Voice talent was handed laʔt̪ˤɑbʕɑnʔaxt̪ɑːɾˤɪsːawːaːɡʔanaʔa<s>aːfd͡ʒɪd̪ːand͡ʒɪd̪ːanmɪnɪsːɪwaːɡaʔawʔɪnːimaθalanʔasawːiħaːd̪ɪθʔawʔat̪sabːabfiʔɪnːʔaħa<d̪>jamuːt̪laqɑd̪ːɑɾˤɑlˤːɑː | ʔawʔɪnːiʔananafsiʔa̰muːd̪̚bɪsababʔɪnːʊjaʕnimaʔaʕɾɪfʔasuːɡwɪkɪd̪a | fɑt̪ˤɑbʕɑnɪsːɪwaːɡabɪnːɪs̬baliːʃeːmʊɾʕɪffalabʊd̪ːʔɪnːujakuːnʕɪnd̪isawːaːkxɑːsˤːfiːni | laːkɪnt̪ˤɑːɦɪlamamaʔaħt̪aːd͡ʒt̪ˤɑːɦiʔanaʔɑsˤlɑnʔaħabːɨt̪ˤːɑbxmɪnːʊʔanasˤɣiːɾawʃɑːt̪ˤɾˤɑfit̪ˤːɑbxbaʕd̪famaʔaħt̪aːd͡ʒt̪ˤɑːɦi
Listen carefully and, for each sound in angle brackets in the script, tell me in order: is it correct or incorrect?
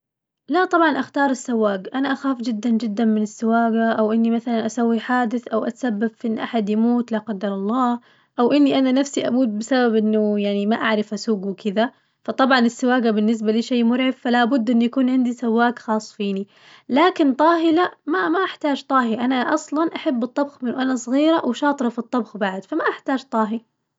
incorrect, correct

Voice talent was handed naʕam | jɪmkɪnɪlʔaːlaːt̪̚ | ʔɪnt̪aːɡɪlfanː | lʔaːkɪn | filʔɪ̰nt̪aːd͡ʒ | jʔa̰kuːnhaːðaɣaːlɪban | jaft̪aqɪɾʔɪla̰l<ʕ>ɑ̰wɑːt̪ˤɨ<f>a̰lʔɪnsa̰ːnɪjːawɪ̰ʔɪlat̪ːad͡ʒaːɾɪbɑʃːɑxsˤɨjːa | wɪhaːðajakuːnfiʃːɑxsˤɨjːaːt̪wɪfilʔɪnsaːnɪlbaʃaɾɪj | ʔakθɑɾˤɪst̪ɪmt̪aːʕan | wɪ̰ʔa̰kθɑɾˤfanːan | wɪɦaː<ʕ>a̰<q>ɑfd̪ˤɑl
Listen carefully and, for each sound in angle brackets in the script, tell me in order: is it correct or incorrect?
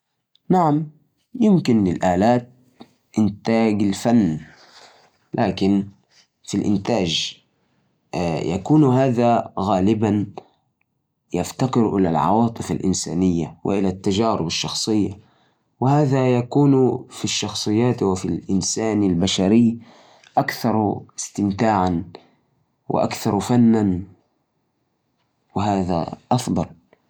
correct, correct, incorrect, incorrect

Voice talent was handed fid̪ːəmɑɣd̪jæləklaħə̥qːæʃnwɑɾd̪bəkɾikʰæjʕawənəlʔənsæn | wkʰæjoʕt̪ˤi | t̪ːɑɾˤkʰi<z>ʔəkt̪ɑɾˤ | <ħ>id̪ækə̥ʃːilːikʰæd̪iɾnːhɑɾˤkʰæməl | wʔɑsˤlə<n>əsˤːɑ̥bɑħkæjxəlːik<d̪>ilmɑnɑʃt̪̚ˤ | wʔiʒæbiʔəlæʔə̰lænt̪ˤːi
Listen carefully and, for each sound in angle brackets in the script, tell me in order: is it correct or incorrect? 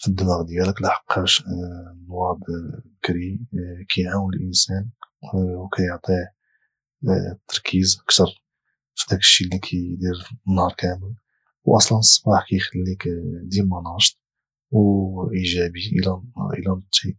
correct, incorrect, correct, correct

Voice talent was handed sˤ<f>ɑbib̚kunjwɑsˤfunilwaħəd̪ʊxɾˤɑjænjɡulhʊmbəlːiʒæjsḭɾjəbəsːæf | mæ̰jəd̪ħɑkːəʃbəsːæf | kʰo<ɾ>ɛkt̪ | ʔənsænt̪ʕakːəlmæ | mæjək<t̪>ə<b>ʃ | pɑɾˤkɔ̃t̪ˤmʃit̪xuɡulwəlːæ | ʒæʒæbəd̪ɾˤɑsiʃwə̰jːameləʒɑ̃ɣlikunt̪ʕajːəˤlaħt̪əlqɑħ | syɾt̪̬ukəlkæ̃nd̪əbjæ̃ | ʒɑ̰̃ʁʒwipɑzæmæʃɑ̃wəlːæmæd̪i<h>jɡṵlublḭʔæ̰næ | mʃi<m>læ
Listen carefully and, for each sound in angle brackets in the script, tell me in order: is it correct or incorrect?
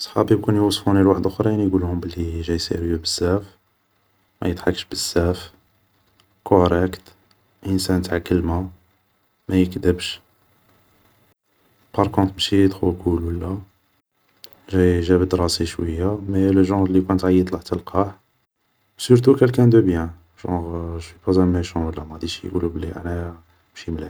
incorrect, correct, incorrect, correct, incorrect, correct

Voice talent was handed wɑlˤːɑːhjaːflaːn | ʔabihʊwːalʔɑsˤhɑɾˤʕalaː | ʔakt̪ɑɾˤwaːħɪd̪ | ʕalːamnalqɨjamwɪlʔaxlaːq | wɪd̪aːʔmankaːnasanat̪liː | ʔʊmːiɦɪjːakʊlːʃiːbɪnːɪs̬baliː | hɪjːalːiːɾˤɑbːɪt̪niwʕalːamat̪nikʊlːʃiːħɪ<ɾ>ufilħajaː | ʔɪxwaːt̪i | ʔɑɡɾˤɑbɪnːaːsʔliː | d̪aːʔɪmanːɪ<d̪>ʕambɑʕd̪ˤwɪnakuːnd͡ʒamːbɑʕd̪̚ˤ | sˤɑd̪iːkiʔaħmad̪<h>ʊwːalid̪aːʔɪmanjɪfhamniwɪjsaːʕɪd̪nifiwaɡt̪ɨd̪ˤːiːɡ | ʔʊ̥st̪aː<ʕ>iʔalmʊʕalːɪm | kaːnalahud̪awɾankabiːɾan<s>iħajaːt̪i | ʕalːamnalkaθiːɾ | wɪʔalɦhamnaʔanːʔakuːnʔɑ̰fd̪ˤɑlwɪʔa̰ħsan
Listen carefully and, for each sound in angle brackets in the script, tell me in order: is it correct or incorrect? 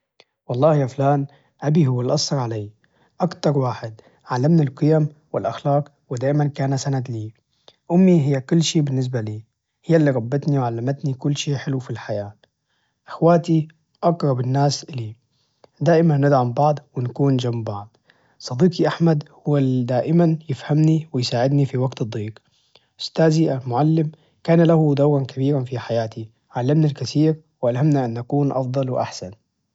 incorrect, correct, correct, incorrect, incorrect

